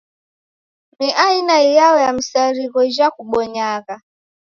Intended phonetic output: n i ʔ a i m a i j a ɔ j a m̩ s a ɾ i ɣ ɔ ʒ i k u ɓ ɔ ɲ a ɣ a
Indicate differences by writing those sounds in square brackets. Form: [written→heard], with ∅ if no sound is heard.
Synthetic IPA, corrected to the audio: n i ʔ a i [m→n] a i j a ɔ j a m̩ s a ɾ i ɣ ɔ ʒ [i→a] k u ɓ ɔ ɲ a ɣ a